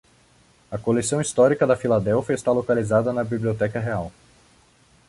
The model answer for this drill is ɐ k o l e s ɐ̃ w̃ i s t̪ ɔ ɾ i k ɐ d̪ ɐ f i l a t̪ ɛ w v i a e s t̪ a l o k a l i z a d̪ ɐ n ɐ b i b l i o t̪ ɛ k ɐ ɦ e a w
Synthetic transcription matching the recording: ɐ k o l e s ɐ̃ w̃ i s t̪ ɔ ɾ i k ɐ d̪ ɐ f i l a d̪ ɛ w f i ɐ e s t̪ a l o k a l i z a d̪ ɐ n ɐ b i b l i o t̪ ɛ k ɐ ɦ e a w